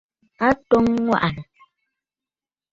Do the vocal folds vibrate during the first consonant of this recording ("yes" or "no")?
no